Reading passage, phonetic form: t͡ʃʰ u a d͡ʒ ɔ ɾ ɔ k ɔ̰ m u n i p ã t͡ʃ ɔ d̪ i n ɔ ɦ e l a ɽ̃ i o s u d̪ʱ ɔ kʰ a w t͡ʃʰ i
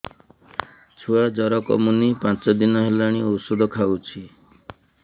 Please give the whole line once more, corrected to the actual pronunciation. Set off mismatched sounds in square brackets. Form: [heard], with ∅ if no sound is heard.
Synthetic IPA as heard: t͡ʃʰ u a d͡ʒ ɔ ɾ ɔ k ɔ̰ m u n i p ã t͡ʃ ɔ d̪ i n ɔ ɦ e l a ɽ̃ i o s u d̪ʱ ɔ kʰ a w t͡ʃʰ i